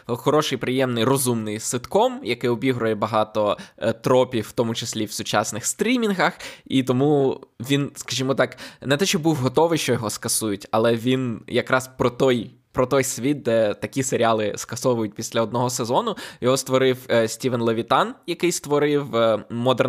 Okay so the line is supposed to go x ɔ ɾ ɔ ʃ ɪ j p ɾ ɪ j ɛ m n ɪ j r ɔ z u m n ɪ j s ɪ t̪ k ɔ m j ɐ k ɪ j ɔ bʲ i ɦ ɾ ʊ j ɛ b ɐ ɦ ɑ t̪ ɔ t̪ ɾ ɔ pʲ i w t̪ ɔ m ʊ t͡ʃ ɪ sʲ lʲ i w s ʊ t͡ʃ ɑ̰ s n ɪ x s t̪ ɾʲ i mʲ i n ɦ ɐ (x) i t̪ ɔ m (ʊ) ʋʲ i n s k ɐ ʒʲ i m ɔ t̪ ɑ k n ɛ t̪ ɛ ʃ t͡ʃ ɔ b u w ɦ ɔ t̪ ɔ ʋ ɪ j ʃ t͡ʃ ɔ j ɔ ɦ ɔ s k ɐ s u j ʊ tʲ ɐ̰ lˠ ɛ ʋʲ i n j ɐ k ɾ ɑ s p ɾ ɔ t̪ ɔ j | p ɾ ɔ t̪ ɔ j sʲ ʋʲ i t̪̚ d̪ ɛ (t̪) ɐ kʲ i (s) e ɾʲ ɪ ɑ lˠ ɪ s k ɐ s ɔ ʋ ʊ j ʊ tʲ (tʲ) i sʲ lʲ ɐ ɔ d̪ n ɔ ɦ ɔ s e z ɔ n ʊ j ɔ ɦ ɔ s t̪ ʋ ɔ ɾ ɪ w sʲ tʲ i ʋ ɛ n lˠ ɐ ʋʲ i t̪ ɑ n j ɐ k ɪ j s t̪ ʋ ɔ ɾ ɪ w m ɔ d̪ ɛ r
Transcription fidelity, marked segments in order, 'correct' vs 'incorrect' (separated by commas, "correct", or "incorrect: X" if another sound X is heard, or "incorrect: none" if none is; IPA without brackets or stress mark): correct, incorrect: u, correct, correct, incorrect: pʲ